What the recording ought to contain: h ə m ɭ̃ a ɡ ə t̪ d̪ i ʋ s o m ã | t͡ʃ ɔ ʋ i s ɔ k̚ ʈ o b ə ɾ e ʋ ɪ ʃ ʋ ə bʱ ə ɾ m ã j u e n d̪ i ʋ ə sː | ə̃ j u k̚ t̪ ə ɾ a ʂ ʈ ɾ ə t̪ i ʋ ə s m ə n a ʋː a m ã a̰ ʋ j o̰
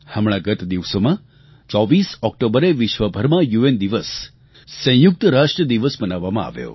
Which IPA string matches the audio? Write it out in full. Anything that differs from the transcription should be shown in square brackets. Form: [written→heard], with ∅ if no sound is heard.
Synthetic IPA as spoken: h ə m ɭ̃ a ɡ ə t̪ d̪ i ʋ s o m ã | t͡ʃ ɔ ʋ i s ɔ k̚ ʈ o b ə ɾ e ʋ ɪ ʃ ʋ ə bʱ ə ɾ m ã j u e n d̪ i ʋ ə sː | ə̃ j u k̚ t̪ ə ɾ a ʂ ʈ ɾ ə [t̪→d̪] i ʋ ə s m ə n a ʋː a m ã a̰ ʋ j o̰